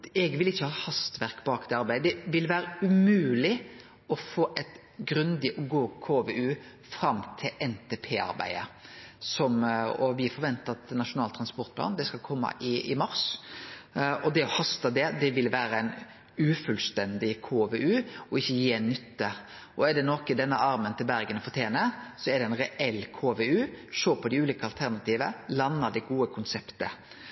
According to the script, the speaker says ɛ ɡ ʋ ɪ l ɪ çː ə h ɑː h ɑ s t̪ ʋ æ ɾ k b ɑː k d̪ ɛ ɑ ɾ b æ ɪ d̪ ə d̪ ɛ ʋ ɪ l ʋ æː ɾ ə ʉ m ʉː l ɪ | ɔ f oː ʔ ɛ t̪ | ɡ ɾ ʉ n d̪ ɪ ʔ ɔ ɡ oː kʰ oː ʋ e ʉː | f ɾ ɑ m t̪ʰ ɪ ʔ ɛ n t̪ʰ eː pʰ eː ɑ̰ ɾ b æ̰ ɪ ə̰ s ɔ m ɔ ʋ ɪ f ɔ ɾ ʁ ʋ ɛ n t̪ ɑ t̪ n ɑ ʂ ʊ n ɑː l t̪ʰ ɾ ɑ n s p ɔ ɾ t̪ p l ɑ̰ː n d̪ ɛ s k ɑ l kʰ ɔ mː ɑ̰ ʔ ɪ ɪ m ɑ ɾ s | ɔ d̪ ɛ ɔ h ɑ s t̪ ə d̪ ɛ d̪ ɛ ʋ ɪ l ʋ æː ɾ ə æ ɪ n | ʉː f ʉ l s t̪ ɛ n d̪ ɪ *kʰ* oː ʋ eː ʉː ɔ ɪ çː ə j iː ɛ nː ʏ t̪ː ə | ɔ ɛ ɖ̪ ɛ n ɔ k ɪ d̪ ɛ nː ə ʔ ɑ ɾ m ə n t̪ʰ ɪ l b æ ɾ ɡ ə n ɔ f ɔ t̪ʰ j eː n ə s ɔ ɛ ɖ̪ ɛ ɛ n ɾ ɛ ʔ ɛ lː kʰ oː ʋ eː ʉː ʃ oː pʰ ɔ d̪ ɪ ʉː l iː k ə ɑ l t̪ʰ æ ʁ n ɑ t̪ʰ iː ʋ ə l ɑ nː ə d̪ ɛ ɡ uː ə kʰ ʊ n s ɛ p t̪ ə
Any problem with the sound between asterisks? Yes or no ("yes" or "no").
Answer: no